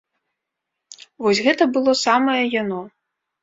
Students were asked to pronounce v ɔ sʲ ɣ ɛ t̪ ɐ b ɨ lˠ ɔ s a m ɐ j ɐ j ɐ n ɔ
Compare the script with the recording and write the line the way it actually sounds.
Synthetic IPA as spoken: v ɔ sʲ ɣ ɛ t̪ ɐ b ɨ lˠ ɔ s a m ɐ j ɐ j a n ɔ